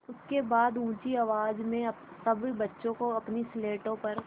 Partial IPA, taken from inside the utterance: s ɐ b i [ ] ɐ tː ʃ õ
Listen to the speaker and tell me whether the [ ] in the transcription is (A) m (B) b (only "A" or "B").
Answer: B